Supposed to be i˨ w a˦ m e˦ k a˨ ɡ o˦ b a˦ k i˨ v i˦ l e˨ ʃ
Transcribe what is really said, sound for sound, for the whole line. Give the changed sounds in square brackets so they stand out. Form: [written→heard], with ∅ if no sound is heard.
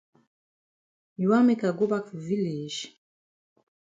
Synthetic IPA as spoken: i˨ w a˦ m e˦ k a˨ ɡ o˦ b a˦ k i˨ v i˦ l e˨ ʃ